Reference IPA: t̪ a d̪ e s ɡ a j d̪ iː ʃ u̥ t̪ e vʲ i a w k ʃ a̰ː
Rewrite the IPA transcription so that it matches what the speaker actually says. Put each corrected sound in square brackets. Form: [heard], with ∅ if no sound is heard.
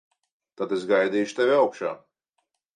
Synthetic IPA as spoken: t̪ a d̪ e s ɡ a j d̪ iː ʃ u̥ t̪ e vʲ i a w k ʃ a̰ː